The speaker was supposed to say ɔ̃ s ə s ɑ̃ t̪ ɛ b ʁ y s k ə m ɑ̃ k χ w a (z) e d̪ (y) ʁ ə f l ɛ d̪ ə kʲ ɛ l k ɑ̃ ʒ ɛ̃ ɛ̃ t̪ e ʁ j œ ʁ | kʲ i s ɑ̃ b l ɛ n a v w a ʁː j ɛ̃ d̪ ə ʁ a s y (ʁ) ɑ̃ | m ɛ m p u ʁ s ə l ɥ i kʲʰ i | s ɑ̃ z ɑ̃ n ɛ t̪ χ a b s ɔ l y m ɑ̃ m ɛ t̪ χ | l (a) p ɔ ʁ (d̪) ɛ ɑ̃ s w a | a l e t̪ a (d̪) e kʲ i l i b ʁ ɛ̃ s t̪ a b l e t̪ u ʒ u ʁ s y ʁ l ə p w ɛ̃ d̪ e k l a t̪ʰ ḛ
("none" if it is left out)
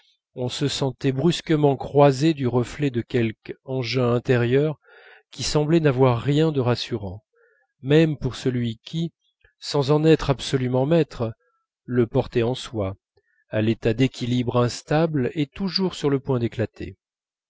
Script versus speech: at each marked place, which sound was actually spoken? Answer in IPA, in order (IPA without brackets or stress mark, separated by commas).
z, y, ʁ, ə, t̪, d̪